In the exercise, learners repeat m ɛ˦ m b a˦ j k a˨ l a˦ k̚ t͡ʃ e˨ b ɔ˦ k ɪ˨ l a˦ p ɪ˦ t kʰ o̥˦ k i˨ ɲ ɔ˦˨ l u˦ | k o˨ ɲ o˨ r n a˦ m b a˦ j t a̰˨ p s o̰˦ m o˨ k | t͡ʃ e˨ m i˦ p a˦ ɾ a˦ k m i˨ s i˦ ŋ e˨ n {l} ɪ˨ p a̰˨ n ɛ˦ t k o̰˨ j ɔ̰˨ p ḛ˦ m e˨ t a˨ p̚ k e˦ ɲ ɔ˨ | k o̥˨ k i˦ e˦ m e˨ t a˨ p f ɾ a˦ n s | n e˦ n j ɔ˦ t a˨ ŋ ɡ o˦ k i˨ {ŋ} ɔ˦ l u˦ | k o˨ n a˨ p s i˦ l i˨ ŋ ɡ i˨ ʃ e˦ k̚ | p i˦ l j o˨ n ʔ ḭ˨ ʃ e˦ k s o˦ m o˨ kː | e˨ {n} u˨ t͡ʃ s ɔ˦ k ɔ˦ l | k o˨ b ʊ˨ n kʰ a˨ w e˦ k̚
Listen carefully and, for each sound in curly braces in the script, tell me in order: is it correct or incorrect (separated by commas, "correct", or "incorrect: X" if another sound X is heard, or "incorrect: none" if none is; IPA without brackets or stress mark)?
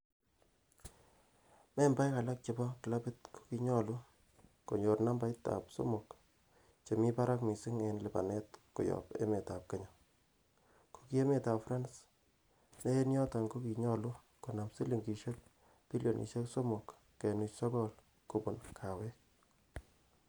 correct, incorrect: ɲ, correct